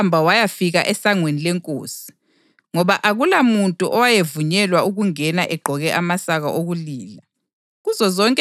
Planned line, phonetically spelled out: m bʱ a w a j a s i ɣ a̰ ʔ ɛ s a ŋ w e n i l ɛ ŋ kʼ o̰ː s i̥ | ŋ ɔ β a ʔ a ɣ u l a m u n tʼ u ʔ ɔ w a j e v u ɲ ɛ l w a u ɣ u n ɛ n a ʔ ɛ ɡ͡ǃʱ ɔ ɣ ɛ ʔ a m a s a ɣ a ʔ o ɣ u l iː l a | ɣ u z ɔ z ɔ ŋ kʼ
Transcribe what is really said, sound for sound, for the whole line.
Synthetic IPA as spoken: m bʱ a w a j a f i ɣ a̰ ʔ ɛ s a ŋ w e n i l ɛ ŋ kʼ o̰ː s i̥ | ŋ ɔ β a ʔ a ɣ u l a m u n tʼ u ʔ ɔ w a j e v u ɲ ɛ l w a u ɣ u ŋ ɛ n a ʔ ɛ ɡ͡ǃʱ ɔ ɣ ɛ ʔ a m a s a ɣ a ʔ o ɣ u l iː l a | ɣ u z ɔ z ɔ ŋ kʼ

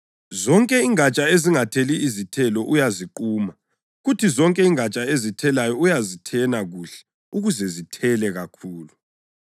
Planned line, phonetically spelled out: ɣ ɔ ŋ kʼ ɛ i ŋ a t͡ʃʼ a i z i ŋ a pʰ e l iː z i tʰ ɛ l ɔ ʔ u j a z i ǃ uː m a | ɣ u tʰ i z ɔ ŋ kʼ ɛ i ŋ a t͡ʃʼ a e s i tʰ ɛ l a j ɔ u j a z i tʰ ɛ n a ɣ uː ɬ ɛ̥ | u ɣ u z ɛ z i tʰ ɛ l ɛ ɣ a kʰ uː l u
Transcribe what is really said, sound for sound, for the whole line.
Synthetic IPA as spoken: z ɔ ŋ kʼ ɛ i ŋ a t͡ʃʼ a e z i ŋ a tʰ e l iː z i tʰ ɛ l ɔ ʔ u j a z i ǃ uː m a | ɣ u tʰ i z ɔ ŋ kʼ ɛ i ŋ a t͡ʃʼ a e z i tʰ ɛ l a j ɔ u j a z i tʰ ɛ n a ɣ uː ɬ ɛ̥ | u ɣ u z ɛ z i tʰ ɛ l ɛ ɣ a kʰ uː l u

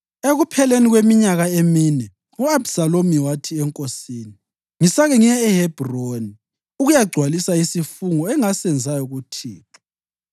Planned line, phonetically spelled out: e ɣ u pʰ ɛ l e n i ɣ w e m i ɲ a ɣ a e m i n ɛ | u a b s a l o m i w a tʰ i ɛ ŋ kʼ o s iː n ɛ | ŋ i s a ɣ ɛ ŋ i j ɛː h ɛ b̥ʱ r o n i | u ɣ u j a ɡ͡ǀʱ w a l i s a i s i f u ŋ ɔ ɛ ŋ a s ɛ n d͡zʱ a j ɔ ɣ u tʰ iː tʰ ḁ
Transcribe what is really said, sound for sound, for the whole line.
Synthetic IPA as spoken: e ɣ u pʰ ɛ l e n i ɣ w e m i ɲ a ɣ a e m i n ɛ | u a b s a l o m i w a tʰ i ɛ ŋ kʼ o s iː n i | ŋ i s a ɣ ɛ ŋ i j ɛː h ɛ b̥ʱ r o n i | u ɣ u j a ɡ͡ǀʱ w a l i s a i s i f u ŋ ɔ ɛ ŋ a s ɛ n d͡zʱ a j ɔ ɣ u tʰ iː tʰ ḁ

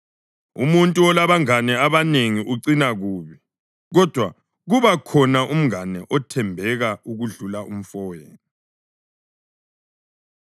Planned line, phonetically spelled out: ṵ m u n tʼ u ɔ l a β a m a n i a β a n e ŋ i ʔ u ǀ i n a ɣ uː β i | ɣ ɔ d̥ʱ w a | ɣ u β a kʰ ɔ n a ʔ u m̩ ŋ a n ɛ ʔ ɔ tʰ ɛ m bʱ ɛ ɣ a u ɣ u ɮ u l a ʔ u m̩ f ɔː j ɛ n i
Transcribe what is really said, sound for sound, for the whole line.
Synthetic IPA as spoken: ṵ m u n tʼ u ɔ l a β a ŋ a n ɛ a β a n e ŋ i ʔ u ǀ i n a ɣ uː β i | ɣ ɔ d̥ʱ w a | ɣ u β a kʰ ɔ n a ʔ u m̩ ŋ a n ɛ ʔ ɔ tʰ ɛ m bʱ ɛ ɣ a u ɣ u ɮ u l a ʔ u m̩ f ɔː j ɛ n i

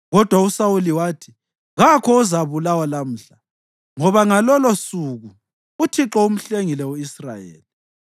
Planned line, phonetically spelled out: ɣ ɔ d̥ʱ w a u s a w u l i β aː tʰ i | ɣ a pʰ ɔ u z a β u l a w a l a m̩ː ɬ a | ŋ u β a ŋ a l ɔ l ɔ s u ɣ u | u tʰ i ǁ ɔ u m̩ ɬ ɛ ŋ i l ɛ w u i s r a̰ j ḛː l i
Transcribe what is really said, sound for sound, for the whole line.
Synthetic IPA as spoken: ɣ ɔ d̥ʱ w a u s a w u l i w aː tʰ i | ɣ a kʰ ɔ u z a β u l a w a l a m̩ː ɬ a | ŋ ɔ β a ŋ a l ɔ l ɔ s u ɣ u | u tʰ i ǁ ɔ u m̩ ɬ e ŋ i l ɛ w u i s r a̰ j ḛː l i

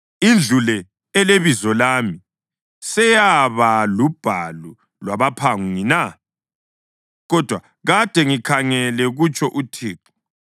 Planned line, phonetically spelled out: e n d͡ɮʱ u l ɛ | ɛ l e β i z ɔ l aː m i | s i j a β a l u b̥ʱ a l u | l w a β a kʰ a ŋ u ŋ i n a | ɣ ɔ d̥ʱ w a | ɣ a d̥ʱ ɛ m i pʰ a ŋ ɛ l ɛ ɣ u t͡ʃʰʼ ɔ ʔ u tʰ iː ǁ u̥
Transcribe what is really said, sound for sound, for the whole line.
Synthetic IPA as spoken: i n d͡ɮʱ u l ɛ | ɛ l e β i z ɔ l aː m i | s ɛ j a β a l u b̥ʱ a l u | l w a β a pʰ a ŋ u ŋ i n a | ɣ ɔ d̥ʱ w a | ɣ a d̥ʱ ɛ ŋ i kʰ a ŋ ɛ l ɛ ɣ u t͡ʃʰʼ ɔ ʔ u tʰ iː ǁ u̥

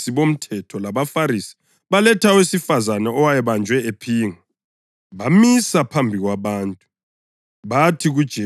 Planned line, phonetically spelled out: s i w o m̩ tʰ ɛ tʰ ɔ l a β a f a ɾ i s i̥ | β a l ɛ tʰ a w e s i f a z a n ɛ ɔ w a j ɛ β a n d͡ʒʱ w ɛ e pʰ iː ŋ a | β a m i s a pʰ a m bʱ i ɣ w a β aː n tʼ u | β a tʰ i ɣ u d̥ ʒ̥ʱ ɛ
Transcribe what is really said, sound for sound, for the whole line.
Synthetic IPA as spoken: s i β o m̩ tʰ ɛ tʰ ɔ l a β a f a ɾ i s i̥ | β a l ɛ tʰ a w e s i f a z a n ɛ ɔ w a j ɛ β a n d͡ʒʱ w ɛ e pʰ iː ŋ a | β a m i s a pʰ a m bʱ i ɣ w a β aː n tʼ u | β a tʰ i ɣ u d̥ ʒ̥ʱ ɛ

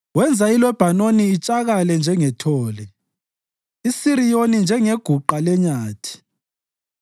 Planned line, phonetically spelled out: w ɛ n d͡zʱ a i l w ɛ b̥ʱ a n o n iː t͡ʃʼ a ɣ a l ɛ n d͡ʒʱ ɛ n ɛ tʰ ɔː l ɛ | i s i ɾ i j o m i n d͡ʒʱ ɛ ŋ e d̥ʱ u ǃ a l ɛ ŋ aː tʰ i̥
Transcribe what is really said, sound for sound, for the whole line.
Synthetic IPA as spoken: w ɛ n d͡zʱ a i l w ɛ b̥ʱ a n o n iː t͡ʃʼ a ɣ a l ɛ n d͡ʒʱ ɛ ŋ ɛ tʰ ɔː l ɛ | i s i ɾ i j o n i n d͡ʒʱ ɛ ŋ e ɡ̥ʱ u ǃ a l ɛ ɲ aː tʰ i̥

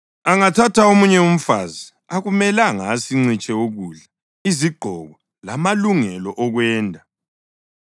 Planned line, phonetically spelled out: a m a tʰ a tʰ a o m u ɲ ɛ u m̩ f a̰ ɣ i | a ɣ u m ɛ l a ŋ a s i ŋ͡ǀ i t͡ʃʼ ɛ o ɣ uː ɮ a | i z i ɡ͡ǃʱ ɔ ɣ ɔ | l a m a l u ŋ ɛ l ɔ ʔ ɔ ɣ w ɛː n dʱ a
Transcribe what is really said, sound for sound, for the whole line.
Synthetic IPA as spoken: a ŋ a tʰ a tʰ a o m u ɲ ɛ u m̩ f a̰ z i | a ɣ u m ɛ l a ŋ a s i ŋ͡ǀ i t͡ʃʼ ɛ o ɣ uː ɮ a | i z i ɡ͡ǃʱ ɔ ɣ ɔ | l a m a l u ŋ ɛ l ɔ ʔ ɔ ɣ w ɛː n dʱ a

